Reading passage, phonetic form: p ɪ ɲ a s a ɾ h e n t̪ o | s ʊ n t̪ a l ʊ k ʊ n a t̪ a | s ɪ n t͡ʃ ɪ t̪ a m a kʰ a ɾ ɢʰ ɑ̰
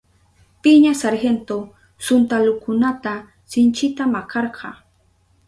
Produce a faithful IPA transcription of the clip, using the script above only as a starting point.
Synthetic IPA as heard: p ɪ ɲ a s a ɾ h e n t̪ o | s ʊ n t̪ a l ʊ k ʊ n a t̪ a | s ɪ n t͡ʃ ɪ t̪ a m a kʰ ɑ ɾ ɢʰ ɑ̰